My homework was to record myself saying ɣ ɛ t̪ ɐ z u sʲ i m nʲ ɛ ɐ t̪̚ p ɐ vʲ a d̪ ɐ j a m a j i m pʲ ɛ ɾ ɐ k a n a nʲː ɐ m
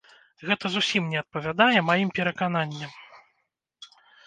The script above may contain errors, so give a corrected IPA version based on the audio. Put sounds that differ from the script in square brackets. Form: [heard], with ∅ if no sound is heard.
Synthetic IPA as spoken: ɣ ɛ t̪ ɐ z u sʲ i m nʲ ɛ ɐ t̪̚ p ɐ vʲ a d̪ [a] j [ɛ] m a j i m pʲ ɛ ɾ ɐ k a n a nʲː ɐ m